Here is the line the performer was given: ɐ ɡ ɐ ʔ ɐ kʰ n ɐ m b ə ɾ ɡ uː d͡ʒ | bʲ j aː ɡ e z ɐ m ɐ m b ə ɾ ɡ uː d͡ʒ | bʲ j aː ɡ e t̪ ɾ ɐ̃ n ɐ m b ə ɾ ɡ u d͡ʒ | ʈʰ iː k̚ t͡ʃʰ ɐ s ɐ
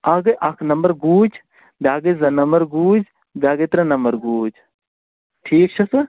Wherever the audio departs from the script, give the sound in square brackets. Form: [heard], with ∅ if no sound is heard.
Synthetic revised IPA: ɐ ɡ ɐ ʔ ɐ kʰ n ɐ m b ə ɾ ɡ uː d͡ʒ | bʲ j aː ɡ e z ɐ [n] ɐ m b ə ɾ ɡ uː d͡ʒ | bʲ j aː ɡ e t̪ ɾ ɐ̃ n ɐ m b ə ɾ ɡ [uː] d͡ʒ | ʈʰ iː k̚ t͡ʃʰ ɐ s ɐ